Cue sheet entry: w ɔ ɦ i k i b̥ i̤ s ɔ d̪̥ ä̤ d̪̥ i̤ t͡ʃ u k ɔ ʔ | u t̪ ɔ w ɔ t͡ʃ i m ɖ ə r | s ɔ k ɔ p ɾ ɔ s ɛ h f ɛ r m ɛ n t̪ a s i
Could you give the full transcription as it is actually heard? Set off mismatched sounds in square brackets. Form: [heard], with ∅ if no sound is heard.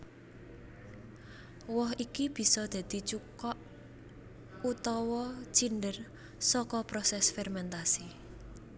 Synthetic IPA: w ɔ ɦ i k i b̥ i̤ s ɔ d̪̥ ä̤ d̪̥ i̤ t͡ʃ u k ɔ ʔ | u t̪ ɔ w ɔ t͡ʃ i [n] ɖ ə r | s ɔ k ɔ p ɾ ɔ s ɛ [s] f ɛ r m ɛ n t̪ a s i